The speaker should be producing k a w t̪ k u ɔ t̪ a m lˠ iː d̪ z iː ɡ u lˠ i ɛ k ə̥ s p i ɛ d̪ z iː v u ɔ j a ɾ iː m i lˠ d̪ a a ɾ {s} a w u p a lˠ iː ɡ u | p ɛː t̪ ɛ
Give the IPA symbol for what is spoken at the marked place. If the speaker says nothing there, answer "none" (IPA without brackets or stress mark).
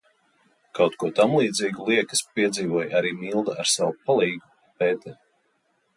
s